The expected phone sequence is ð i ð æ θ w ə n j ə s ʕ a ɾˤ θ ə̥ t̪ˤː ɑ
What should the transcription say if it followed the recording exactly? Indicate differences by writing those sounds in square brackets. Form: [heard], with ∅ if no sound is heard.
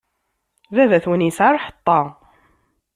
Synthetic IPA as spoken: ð [æ] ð æ θ w ə n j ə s ʕ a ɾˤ [ħ] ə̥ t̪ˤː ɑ